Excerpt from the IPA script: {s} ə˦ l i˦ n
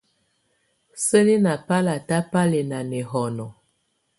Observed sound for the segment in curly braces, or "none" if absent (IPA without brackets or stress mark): s